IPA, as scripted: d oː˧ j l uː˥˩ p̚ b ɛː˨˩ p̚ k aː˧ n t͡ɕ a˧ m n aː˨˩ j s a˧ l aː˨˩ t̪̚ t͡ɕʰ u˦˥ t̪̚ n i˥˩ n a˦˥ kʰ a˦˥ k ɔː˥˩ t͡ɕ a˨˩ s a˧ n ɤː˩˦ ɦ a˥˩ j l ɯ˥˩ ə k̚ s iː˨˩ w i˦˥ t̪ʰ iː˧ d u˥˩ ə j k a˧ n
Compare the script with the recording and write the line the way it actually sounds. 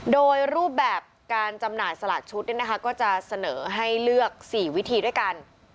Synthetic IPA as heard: d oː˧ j ɾ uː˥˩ p̚ b ɛː˨˩ p̚ k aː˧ n t͡ɕ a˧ m n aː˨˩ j s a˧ l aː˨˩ t̪̚ t͡ɕʰ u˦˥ t̪̚ n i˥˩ n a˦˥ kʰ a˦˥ k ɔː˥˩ t͡ɕ a˨˩ s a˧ n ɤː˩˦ ɦ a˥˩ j l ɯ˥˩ ə k̚ s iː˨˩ w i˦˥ t̪ʰ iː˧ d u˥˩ ə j k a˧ n